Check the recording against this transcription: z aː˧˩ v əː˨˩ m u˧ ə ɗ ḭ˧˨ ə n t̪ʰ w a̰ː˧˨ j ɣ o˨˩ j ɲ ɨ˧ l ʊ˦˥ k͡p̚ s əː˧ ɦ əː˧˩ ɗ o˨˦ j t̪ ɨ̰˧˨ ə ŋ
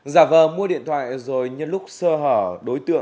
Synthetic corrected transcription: z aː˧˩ v əː˨˩ m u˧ ə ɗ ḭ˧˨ ə n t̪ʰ w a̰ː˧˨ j z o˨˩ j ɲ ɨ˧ l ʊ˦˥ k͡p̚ s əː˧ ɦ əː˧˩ ɗ o˨˦ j t̪ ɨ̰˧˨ ə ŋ